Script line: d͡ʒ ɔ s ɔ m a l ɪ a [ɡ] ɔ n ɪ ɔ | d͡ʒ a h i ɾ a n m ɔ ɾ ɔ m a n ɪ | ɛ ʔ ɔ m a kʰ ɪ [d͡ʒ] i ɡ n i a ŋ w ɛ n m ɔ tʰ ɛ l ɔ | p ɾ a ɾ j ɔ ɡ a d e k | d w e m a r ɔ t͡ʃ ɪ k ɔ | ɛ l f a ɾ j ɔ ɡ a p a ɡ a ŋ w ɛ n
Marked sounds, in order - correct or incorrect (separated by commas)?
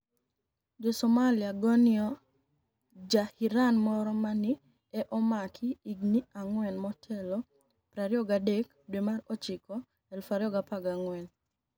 correct, incorrect